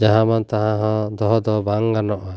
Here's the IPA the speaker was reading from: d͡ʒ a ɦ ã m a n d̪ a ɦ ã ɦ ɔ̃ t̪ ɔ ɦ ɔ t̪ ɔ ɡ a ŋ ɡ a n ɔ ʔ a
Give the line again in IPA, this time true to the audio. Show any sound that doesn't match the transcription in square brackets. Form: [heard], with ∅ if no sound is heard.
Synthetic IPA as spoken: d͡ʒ a ɦ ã m a n [t̪] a ɦ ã ɦ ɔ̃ [d̪] ɔ ɦ ɔ [d̪] ɔ [b] a ŋ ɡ a n ɔ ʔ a